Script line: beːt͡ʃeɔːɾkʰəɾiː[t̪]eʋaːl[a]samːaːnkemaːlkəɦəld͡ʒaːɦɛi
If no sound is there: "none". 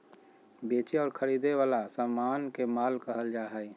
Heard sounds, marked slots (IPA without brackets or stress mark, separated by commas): d̪, a